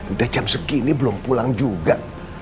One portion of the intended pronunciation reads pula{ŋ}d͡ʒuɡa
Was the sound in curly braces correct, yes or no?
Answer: yes